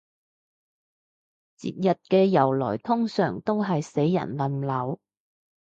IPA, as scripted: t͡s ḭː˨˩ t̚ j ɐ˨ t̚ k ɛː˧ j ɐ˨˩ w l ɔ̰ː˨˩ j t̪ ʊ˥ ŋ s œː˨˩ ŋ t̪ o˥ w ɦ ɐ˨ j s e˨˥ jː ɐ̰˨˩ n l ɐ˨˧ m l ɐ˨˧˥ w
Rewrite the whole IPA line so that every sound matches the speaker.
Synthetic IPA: t͡s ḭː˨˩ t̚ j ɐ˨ t̚ k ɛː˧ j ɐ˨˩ w l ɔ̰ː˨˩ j t̪ʰ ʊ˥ ŋ s œː˨˩ ŋ t̪ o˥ w ɦ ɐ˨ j s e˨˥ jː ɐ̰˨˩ n l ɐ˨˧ m l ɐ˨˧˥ w